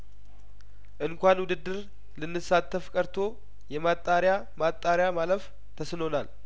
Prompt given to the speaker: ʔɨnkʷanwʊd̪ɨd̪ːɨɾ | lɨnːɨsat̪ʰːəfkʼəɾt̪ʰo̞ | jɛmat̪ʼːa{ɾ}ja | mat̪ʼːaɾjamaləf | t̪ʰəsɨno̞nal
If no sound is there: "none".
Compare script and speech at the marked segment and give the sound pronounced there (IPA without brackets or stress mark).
ɾ